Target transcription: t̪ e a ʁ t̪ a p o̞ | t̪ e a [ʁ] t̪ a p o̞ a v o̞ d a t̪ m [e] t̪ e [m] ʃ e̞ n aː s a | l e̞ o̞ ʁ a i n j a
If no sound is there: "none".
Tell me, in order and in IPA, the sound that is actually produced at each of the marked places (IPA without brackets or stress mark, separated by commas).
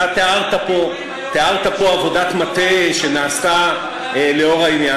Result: ʁ, a, none